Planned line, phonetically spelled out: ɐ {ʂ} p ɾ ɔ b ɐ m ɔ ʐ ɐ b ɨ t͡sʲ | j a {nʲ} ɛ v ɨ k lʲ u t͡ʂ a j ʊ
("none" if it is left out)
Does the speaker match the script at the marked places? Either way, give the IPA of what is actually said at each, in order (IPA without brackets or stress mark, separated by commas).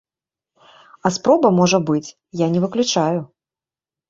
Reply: s, nʲ